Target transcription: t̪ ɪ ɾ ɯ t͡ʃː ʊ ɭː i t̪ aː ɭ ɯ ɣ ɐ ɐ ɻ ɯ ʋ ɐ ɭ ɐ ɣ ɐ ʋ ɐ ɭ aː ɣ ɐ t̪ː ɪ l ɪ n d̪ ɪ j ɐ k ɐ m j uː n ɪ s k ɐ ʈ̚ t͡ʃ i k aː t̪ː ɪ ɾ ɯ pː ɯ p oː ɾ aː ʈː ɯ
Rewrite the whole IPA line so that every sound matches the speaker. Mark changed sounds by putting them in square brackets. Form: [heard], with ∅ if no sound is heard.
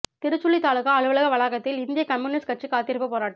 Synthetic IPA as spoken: t̪ ɪ ɾ ɯ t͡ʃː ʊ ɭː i t̪ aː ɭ ɯ ɣ ɐ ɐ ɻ ɯ ʋ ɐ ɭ ɐ ɣ ɐ ʋ ɐ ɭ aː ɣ ɐ t̪ː ɪ l ɪ n d̪ ɪ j ɐ k ɐ m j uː n ɪ s k ɐ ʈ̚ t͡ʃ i k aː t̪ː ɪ ɾ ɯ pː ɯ p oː ɾ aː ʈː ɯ